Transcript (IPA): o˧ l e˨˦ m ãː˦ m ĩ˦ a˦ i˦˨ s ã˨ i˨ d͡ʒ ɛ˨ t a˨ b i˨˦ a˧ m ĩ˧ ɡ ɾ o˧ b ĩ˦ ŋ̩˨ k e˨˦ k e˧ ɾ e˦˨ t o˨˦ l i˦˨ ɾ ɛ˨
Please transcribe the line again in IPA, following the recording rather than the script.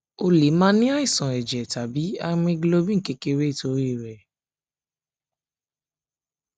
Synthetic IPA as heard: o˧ l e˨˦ m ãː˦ n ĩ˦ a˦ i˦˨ s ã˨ ɛ˨ d͡ʒ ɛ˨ t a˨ b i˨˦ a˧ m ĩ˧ ɡ l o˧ b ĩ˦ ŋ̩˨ k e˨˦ k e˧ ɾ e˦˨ t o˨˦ ɾ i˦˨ ɾ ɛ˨